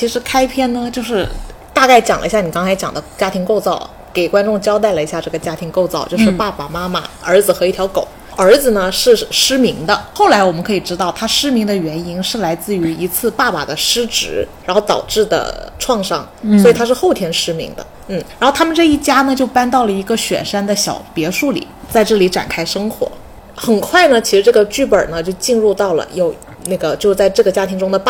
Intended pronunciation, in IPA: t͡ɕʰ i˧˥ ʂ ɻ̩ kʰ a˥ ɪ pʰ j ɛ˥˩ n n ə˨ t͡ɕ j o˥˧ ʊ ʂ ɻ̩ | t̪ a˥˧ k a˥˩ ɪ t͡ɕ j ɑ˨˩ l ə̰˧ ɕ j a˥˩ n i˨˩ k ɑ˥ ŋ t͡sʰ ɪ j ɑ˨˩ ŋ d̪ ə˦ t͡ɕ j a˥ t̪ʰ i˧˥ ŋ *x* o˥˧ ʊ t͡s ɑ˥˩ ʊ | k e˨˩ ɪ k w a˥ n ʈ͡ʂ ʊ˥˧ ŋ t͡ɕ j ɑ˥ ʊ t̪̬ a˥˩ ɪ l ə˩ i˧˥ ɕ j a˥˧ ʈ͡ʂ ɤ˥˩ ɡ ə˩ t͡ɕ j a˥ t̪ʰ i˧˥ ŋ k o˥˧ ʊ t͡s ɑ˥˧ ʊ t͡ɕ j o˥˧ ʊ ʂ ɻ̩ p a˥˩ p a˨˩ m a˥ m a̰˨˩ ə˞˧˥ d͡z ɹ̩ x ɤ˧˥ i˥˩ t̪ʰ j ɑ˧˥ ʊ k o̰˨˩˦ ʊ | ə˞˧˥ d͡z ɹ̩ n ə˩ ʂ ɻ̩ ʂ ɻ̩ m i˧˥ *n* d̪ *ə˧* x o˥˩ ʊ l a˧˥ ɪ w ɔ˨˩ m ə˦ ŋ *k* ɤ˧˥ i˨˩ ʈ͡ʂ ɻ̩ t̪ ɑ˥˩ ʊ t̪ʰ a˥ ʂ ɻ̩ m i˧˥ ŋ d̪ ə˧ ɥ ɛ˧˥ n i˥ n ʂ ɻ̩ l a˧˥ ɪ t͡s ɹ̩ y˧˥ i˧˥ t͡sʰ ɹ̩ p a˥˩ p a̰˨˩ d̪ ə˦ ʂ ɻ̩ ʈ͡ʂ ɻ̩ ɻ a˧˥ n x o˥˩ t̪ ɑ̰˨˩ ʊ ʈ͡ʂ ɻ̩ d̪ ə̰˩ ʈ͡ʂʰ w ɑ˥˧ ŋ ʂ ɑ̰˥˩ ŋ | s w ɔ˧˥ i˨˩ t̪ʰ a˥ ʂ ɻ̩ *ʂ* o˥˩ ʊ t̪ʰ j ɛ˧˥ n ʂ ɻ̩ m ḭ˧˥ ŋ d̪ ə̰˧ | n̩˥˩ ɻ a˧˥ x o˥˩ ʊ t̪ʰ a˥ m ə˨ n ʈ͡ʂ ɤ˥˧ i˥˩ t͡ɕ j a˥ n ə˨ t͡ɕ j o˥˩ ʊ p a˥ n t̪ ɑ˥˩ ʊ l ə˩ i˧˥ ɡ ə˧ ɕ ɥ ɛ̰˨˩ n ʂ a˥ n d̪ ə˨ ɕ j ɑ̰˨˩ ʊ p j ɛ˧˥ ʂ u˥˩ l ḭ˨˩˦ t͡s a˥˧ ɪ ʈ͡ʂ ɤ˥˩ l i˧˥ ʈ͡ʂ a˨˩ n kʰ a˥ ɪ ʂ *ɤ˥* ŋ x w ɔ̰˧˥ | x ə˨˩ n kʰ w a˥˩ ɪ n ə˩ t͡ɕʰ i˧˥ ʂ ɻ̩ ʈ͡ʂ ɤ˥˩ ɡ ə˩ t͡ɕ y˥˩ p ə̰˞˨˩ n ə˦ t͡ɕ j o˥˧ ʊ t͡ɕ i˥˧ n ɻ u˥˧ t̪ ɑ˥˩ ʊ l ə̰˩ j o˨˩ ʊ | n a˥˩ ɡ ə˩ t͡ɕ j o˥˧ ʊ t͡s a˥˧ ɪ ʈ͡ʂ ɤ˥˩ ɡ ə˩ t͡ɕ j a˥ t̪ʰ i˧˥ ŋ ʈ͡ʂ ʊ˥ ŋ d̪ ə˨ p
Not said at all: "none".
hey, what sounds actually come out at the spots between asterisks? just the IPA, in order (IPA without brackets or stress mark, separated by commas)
k, ŋ, ə˧, kʰ, x, ɤ˥